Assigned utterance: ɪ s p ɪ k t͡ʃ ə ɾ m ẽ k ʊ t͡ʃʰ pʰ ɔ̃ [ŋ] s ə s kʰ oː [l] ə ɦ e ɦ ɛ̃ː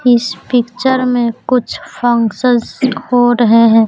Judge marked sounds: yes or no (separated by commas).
yes, no